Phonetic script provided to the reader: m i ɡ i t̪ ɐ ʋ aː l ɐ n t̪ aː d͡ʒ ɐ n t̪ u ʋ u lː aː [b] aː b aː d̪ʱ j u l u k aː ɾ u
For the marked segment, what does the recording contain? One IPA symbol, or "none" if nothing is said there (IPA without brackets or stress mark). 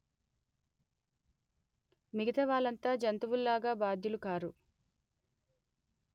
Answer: ɡ